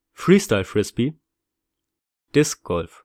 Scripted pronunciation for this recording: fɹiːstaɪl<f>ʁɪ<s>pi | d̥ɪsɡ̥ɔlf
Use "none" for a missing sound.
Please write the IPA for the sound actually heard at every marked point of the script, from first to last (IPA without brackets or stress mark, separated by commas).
f, s